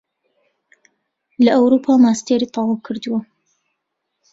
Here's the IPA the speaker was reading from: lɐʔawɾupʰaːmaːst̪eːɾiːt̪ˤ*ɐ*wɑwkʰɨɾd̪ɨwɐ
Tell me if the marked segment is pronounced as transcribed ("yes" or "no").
no